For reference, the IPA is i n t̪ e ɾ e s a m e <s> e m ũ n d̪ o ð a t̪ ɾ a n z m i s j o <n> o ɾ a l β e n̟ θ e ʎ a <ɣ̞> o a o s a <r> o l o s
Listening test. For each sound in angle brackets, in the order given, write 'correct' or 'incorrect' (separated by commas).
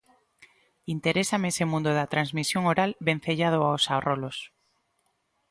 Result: correct, incorrect, incorrect, correct